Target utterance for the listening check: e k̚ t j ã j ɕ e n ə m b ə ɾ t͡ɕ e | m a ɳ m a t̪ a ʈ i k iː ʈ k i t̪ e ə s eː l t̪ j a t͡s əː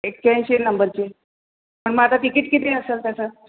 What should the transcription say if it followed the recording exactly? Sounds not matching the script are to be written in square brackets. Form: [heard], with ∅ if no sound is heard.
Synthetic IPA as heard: e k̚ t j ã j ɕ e n ə m b ə ɾ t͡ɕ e | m [ə] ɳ m a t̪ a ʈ i k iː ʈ k i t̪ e ə s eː l t̪ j a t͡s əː